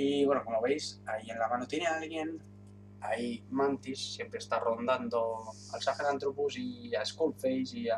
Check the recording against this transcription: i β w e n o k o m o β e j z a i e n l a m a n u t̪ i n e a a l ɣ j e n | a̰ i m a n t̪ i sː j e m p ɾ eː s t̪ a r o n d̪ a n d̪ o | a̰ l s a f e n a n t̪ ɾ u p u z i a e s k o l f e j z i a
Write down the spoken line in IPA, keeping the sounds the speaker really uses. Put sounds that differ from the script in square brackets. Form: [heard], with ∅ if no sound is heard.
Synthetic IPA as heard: i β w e n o k o m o β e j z a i e n l a m a n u t̪ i n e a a l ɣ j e n | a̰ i m a n t̪ i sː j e m p ɾ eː s t̪ a r o n d̪ a n d̪ o | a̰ l s a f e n a n t̪ ɾ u p u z i a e s k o l f e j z i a

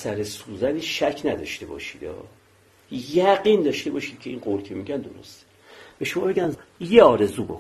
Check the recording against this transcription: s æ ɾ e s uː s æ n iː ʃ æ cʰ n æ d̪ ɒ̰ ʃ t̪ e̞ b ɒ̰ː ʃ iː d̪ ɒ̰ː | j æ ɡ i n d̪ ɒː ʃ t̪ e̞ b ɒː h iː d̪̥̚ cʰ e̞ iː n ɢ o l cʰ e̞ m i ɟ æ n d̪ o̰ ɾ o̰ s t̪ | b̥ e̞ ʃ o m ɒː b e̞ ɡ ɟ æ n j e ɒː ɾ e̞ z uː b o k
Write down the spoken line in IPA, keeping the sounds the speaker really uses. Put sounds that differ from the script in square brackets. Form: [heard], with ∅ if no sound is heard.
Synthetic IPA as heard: s æ ɾ e s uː [z] æ n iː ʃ æ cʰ n æ d̪ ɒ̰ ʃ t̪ e̞ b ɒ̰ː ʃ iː d̪ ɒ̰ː | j æ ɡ i n d̪ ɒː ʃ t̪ e̞ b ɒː [ʃ] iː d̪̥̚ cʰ e̞ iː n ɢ o l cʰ e̞ m i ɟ æ n d̪ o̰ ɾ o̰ s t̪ | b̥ e̞ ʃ o m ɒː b e̞ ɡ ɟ æ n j e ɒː ɾ e̞ z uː b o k

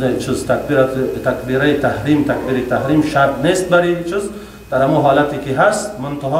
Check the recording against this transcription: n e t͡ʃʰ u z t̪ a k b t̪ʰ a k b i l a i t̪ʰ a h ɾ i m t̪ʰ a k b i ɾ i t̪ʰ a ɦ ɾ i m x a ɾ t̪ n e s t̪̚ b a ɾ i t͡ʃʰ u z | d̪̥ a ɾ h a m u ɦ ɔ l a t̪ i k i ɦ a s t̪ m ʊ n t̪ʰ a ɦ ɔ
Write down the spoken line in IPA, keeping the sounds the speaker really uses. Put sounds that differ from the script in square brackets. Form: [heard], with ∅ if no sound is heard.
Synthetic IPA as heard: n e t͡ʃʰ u z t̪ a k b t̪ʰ a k b i [ɾ] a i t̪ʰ a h ɾ i m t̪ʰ a k b i ɾ i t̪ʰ a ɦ ɾ i m [ʃ] a ɾ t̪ n e s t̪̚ b a ɾ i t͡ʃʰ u z | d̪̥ a ɾ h a m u ɦ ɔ l a t̪ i k i ɦ a s t̪ m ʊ n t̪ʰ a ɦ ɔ

